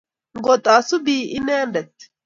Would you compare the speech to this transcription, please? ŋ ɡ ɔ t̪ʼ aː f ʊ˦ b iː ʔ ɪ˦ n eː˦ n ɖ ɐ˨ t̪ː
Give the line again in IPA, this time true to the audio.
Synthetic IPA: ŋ ɡ ɔ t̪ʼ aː s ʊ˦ b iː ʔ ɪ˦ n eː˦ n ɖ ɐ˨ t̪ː